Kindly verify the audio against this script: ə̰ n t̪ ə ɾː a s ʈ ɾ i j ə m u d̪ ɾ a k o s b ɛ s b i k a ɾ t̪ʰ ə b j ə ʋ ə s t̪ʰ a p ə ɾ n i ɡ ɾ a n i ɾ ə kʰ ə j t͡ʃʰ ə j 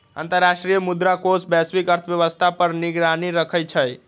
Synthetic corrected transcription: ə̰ n t̪ ə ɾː a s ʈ ɾ i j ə m u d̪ ɾ a k o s b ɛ s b i k ə ɾ t̪ʰ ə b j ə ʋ ə s t̪ʰ a p ə ɾ n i ɡ ɾ a n i ɾ ə kʰ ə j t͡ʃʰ ə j